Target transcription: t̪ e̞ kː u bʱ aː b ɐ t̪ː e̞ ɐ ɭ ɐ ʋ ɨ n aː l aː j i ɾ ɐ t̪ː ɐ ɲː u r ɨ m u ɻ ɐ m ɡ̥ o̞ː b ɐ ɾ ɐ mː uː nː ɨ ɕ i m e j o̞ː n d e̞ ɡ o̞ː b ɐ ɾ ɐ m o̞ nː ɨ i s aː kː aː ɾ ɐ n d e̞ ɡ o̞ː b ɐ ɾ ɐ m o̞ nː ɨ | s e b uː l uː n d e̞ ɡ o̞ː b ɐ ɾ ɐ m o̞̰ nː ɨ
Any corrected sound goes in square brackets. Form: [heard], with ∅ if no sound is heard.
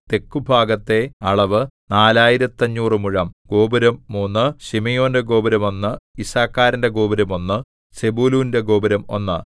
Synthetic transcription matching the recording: t̪ e̞ kː u bʱ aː [ɡ] ɐ t̪ː e̞ ɐ ɭ ɐ ʋ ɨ n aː l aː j i ɾ ɐ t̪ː ɐ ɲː [uː] r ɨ m u ɻ ɐ m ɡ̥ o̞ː b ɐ ɾ ɐ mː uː nː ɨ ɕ i m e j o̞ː n d e̞ ɡ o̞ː b ɐ ɾ ɐ m o̞ nː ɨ i s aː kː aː ɾ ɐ n d e̞ ɡ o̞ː b ɐ ɾ ɐ m o̞ nː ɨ | s e b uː l uː n d e̞ ɡ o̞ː b ɐ ɾ ɐ m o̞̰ nː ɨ